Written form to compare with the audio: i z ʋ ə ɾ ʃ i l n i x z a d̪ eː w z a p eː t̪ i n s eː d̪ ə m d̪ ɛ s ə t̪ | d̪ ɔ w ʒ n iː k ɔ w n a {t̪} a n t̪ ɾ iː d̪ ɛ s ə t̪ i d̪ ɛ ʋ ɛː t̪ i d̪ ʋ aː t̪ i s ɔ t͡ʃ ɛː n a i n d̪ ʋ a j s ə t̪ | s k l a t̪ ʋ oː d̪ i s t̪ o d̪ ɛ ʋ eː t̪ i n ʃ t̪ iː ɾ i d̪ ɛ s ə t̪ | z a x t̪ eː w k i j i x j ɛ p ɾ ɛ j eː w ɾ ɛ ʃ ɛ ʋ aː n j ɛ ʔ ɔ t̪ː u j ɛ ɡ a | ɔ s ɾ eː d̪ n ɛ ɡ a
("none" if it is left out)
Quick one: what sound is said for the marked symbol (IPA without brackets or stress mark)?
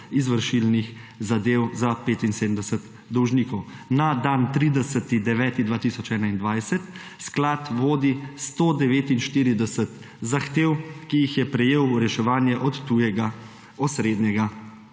d̪